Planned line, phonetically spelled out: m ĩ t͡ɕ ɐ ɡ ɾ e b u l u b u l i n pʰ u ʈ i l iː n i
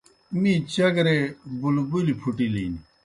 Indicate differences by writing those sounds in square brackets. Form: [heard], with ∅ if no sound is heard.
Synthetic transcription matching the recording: m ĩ t͡ɕ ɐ ɡ ɾ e b u l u b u l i [∅] pʰ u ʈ i l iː n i